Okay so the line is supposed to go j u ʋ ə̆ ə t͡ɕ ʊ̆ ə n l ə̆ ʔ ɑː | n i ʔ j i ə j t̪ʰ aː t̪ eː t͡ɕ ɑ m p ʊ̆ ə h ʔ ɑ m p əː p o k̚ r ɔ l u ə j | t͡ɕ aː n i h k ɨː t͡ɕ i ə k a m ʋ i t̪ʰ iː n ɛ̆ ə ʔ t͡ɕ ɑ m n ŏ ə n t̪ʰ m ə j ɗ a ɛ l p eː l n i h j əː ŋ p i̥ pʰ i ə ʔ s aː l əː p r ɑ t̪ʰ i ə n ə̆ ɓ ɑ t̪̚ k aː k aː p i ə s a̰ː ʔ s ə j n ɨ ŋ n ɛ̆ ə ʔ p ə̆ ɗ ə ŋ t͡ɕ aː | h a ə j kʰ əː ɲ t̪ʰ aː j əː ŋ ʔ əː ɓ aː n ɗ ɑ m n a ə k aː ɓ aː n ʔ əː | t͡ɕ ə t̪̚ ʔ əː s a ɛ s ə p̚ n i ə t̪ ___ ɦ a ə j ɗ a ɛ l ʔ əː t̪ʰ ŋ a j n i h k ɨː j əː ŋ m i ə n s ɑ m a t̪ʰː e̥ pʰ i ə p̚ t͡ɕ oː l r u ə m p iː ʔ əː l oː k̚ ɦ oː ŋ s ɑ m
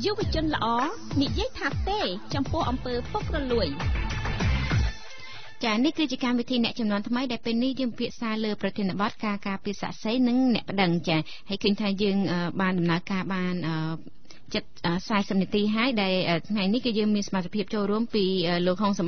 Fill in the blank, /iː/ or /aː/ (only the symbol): iː